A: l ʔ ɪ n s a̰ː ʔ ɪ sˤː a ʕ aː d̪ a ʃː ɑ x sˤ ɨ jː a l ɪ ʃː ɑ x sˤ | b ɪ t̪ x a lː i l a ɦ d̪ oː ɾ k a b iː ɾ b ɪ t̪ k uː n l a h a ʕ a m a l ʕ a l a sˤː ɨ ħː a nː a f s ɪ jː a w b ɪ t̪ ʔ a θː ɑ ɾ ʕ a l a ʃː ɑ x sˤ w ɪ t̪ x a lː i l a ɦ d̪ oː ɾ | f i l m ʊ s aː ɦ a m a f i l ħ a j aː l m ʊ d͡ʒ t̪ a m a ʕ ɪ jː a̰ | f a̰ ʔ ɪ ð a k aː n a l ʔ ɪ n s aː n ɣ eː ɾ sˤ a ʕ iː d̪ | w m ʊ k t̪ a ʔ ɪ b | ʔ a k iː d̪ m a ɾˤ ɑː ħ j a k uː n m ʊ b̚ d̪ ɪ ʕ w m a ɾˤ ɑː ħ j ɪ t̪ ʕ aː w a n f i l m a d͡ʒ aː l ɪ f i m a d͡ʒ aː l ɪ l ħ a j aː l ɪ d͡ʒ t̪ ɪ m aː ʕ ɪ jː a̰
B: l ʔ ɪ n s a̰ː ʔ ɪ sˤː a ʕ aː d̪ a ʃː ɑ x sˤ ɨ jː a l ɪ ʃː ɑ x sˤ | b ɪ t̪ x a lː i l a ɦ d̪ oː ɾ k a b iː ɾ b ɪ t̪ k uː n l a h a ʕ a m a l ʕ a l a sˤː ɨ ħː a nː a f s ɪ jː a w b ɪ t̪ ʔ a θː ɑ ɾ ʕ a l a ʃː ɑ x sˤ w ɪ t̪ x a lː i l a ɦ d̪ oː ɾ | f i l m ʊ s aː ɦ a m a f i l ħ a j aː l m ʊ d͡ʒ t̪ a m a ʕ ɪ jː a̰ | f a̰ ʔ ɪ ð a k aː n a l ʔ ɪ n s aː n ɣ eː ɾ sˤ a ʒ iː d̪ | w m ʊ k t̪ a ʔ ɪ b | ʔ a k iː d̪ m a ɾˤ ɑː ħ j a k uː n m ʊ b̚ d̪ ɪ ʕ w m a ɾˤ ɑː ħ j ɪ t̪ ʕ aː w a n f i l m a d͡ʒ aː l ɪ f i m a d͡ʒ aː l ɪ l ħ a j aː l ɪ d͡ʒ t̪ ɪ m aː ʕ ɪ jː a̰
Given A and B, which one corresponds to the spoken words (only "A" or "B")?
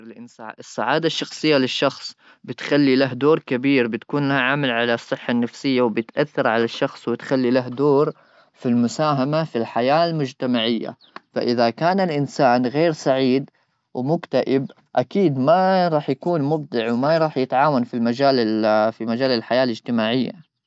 A